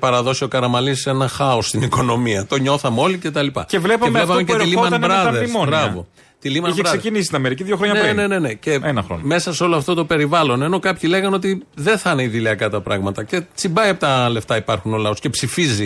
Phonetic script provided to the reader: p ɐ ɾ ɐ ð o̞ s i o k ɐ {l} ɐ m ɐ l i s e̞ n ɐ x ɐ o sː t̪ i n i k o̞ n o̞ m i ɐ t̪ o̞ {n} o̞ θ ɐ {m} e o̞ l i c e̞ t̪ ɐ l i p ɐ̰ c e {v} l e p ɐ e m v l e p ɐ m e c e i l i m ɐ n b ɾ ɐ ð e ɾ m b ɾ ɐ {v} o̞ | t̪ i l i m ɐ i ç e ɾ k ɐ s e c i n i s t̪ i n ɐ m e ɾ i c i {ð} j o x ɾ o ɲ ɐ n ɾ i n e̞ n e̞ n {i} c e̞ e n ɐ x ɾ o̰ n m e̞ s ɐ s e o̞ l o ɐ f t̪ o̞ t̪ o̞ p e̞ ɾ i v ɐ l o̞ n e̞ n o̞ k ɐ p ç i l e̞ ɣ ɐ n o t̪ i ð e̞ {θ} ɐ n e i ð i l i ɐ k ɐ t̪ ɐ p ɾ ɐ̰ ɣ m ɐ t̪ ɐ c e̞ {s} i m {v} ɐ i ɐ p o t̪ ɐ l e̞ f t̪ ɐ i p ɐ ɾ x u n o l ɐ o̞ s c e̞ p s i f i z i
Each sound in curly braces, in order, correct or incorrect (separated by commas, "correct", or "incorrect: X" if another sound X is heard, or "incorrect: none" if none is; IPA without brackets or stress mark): incorrect: ɾ, incorrect: ɲ, correct, correct, correct, correct, incorrect: e, correct, incorrect: t͡s, incorrect: b